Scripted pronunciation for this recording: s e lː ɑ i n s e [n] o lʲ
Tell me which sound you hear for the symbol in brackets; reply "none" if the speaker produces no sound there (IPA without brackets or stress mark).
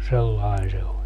none